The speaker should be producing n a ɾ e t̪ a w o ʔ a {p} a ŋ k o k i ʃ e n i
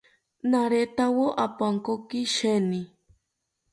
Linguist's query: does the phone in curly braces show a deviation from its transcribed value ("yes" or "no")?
no